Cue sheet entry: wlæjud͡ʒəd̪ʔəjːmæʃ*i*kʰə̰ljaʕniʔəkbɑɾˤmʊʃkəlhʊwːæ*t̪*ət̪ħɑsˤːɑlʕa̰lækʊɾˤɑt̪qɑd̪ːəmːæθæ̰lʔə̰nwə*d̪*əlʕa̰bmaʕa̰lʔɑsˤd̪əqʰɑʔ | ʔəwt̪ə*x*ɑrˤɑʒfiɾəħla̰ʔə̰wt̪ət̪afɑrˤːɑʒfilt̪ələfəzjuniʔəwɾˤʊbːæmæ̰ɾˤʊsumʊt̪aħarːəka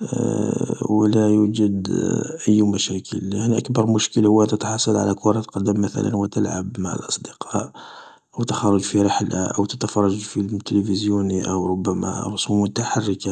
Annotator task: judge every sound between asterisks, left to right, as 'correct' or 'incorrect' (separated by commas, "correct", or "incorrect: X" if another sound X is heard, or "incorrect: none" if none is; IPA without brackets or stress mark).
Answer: incorrect: æ, correct, incorrect: t̪, correct